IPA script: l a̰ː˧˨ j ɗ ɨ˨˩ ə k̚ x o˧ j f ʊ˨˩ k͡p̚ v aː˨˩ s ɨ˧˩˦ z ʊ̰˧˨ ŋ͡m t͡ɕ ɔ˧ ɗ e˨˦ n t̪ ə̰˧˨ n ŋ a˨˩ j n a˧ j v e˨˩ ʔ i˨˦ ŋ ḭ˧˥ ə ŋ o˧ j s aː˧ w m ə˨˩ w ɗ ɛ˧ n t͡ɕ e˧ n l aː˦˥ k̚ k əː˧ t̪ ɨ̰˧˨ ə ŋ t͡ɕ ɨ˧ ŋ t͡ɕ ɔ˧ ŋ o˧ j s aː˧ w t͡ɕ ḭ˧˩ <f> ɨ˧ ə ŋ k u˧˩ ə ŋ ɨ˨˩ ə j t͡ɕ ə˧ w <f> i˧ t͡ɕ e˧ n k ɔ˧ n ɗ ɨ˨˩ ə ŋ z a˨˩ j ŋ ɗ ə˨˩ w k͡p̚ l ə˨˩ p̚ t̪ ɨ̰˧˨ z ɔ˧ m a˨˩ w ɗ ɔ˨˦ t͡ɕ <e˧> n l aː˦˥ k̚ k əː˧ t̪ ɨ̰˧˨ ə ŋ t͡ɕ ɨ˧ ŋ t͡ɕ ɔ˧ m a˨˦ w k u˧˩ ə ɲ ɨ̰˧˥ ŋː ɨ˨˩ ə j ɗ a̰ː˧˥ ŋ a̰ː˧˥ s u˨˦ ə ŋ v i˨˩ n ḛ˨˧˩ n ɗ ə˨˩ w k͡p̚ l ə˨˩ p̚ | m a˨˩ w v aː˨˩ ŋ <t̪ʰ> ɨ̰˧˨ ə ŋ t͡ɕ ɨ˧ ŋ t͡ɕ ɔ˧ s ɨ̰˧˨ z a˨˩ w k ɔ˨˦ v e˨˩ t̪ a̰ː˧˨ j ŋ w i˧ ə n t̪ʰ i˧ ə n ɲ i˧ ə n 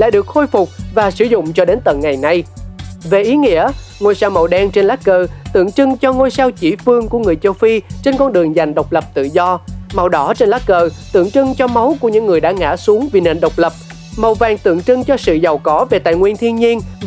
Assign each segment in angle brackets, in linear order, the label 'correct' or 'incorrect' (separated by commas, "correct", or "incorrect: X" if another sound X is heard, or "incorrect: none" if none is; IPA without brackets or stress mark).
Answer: correct, correct, correct, incorrect: t̪